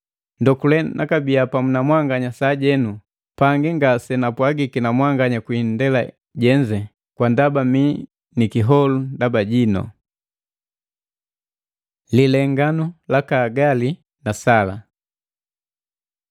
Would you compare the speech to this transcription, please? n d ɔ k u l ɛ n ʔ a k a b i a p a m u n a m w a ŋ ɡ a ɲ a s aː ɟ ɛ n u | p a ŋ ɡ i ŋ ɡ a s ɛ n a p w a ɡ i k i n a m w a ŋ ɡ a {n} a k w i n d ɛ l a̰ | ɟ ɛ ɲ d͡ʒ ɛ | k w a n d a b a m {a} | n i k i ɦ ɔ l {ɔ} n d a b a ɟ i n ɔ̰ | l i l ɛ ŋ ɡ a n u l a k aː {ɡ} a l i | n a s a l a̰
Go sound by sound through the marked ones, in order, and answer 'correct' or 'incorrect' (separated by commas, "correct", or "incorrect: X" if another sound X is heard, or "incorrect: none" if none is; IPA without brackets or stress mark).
incorrect: ɲ, incorrect: i, incorrect: u, correct